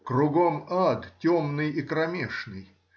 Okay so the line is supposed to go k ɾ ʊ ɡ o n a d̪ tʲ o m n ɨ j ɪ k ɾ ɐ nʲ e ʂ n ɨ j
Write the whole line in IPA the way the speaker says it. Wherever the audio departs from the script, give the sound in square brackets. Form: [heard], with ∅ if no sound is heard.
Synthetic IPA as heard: k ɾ ʊ ɡ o [m] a d̪ tʲ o m n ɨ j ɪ k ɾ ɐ [mʲ] e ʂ n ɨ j